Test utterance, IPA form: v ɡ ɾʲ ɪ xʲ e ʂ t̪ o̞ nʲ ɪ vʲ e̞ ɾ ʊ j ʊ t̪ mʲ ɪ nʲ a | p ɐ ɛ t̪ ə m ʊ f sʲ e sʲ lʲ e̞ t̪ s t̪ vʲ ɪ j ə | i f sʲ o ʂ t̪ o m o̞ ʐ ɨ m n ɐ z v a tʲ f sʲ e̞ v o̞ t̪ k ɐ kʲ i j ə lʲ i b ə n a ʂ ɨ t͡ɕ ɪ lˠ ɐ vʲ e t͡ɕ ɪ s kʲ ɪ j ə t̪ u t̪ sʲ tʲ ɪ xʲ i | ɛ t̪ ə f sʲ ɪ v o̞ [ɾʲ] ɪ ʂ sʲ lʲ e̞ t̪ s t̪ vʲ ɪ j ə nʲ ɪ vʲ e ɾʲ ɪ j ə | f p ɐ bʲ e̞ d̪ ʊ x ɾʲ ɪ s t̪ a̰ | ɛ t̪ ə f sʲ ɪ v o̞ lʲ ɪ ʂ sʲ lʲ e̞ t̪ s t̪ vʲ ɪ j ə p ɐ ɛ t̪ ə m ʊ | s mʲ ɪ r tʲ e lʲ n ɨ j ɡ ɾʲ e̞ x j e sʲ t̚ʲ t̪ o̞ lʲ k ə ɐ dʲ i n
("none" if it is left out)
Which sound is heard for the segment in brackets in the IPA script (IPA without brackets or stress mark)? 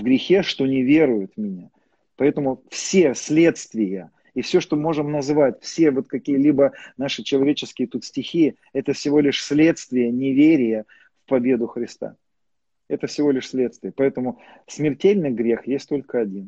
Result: lʲ